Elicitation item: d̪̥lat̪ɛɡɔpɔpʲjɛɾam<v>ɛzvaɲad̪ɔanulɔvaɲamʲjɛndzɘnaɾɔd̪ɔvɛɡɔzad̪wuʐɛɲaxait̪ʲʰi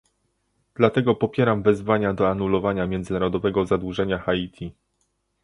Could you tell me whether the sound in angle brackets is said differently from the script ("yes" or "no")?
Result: no